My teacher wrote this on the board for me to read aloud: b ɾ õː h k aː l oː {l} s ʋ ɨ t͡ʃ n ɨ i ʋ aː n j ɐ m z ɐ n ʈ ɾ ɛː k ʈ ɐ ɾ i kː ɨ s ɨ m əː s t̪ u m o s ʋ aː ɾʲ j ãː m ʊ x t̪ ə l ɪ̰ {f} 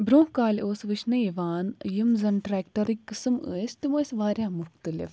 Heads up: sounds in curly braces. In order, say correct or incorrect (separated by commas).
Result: incorrect, correct